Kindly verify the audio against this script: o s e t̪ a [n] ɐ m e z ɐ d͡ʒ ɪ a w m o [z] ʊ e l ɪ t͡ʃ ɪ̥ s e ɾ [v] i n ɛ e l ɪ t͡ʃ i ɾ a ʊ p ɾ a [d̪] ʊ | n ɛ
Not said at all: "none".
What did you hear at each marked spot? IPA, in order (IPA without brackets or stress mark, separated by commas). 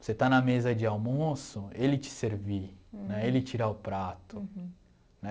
n, s, v, t̪